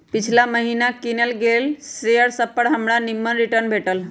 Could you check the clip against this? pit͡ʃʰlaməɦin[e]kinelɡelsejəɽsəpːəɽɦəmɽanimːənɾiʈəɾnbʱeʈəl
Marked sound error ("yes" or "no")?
yes